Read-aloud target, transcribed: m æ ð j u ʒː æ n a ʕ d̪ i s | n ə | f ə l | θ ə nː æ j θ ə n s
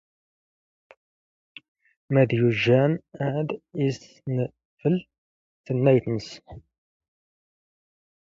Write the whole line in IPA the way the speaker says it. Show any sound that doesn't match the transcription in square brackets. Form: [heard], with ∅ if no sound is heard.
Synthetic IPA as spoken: m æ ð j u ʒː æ n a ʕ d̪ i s | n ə | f ə l | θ ə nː æ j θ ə n s